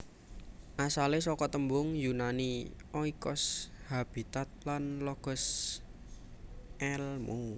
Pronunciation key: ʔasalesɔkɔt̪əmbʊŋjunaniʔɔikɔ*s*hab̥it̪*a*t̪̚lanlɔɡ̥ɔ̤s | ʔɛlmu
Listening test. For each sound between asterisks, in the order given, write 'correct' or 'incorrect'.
correct, correct

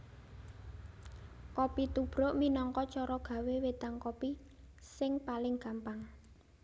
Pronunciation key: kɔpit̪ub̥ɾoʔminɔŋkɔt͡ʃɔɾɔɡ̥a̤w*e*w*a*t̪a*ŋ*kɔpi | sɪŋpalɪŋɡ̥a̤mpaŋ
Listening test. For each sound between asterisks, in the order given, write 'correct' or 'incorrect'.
correct, incorrect: e, correct

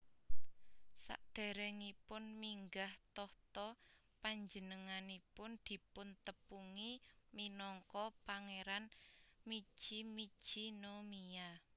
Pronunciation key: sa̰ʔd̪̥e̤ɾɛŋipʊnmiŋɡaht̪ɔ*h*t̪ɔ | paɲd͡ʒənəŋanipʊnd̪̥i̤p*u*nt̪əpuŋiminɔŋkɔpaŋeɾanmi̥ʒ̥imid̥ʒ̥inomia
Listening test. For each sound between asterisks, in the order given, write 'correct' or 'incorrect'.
correct, incorrect: ʊ

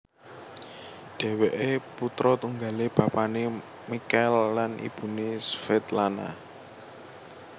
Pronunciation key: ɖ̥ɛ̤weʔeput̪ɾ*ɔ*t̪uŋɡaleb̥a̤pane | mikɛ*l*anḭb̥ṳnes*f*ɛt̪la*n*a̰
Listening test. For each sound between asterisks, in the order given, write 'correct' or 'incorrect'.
correct, incorrect: lː, correct, correct

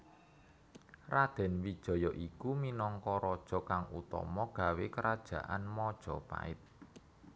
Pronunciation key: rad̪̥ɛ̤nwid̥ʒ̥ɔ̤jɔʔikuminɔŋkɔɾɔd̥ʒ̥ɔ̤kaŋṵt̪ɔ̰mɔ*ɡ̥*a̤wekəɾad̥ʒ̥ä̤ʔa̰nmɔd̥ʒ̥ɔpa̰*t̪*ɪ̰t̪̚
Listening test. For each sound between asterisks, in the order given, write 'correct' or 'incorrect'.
correct, incorrect: none

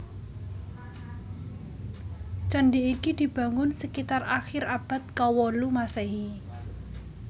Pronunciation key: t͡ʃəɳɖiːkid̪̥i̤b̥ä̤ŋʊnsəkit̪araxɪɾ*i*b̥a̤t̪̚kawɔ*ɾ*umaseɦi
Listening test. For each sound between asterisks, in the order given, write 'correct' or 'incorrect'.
incorrect: a, incorrect: l

